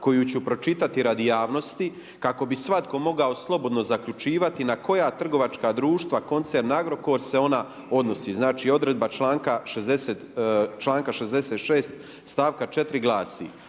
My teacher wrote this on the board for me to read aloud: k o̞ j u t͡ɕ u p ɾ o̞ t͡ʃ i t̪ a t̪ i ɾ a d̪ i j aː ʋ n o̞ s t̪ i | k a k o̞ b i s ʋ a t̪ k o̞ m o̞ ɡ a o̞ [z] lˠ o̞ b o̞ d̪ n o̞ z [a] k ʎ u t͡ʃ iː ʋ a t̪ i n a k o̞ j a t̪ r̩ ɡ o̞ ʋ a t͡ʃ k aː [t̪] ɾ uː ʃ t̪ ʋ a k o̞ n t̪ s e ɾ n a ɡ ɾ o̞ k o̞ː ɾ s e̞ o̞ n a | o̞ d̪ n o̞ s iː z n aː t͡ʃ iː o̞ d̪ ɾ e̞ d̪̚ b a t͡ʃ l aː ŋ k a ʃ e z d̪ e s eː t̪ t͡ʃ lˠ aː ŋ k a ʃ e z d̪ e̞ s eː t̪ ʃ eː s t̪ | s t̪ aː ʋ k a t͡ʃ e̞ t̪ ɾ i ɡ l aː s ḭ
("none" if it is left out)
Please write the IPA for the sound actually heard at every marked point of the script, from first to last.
s, a, d̪

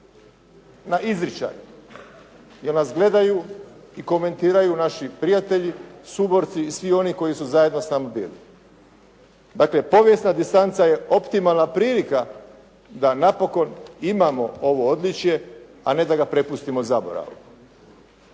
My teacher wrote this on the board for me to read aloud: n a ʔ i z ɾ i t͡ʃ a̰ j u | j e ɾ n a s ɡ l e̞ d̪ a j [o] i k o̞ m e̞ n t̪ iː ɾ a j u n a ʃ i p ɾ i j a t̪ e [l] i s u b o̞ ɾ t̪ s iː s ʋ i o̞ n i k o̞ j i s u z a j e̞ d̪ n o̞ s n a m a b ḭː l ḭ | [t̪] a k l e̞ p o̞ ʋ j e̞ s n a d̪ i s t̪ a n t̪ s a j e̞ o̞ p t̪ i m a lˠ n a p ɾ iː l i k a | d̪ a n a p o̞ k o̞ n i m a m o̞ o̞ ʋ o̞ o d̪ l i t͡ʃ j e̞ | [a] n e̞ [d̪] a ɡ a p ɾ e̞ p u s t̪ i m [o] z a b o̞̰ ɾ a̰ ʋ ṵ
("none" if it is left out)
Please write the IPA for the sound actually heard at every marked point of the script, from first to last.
u, ʎ, d̪, a, d̪, o

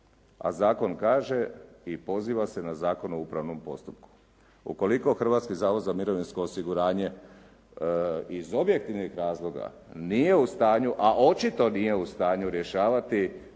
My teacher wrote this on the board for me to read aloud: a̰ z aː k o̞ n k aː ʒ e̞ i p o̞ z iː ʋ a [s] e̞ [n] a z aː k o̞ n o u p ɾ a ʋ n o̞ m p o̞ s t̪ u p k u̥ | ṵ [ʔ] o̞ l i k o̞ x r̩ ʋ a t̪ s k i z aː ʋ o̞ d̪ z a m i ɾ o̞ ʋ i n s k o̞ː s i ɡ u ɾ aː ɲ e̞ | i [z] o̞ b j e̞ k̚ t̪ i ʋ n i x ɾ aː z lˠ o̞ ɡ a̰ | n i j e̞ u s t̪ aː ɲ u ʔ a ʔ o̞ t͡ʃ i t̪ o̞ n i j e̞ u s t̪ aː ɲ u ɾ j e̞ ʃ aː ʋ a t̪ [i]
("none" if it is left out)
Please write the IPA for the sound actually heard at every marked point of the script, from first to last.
s, n, k, z, i

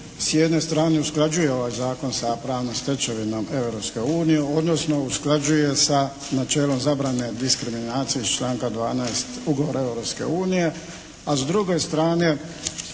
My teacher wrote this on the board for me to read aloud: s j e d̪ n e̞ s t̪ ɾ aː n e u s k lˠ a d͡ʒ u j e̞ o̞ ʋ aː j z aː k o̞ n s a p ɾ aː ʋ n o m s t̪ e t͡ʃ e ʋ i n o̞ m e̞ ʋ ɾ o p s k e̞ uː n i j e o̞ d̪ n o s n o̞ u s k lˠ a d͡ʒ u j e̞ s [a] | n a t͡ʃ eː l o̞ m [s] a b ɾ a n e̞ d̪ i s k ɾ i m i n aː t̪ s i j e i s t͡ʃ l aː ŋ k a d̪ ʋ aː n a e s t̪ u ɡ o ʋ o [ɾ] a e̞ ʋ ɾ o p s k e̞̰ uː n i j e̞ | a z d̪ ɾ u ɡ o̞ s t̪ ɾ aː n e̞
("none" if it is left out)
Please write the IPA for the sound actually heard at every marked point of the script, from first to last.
a, z, ɾ

